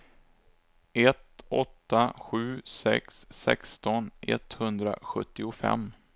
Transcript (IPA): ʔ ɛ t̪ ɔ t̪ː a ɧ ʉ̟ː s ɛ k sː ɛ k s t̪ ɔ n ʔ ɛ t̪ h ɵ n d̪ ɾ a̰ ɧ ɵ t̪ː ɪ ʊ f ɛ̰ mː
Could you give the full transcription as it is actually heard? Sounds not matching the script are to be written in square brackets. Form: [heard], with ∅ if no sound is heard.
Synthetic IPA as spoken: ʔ ɛ t̪ ɔ t̪ː a ɧ ʉ̟ː s ɛ k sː ɛ k s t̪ ɔ n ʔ ɛ t̪ h ɵ n d̪ ɾ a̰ ɧ ɵ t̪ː ɪ ʊ f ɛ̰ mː